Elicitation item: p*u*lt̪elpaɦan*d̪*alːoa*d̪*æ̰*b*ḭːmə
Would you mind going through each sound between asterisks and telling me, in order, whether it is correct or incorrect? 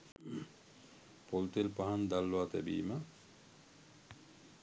incorrect, correct, incorrect, correct

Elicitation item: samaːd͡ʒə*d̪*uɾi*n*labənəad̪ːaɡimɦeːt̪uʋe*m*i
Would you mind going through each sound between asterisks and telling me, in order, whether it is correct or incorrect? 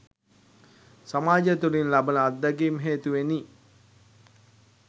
incorrect, correct, incorrect

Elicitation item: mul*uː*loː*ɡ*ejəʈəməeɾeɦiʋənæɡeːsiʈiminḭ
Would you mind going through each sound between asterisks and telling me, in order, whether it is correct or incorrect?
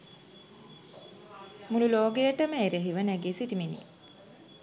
incorrect, correct

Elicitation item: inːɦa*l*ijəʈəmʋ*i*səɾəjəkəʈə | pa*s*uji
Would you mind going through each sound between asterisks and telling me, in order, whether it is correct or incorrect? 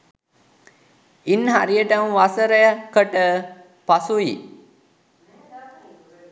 incorrect, incorrect, correct

